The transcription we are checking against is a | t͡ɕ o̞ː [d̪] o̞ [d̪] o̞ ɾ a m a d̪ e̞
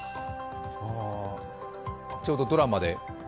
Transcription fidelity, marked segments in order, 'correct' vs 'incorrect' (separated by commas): correct, correct